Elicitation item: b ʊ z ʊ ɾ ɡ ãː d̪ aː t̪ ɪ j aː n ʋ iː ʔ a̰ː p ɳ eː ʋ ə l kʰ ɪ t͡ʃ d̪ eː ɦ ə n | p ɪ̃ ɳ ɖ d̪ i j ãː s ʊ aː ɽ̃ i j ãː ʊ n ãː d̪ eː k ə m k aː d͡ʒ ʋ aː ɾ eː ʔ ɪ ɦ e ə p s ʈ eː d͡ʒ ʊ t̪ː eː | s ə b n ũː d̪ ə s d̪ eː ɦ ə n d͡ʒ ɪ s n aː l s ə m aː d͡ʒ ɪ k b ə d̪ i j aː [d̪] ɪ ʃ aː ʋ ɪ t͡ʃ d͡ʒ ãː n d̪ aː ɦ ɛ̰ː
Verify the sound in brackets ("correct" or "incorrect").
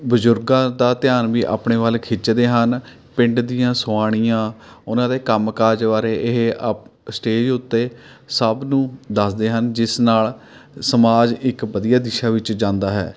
correct